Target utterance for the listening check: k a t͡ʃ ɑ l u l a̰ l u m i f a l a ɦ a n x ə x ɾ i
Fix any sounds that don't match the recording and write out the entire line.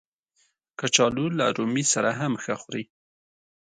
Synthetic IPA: k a t͡ʃ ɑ l u l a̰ ɾ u m i s a ɾ a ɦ a m x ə x ɾ i